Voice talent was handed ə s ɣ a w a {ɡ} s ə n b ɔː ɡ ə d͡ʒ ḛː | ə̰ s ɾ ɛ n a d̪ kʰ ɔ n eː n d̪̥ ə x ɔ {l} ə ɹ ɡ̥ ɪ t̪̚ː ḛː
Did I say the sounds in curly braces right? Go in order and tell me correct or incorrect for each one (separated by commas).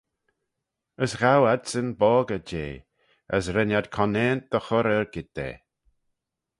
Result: incorrect, incorrect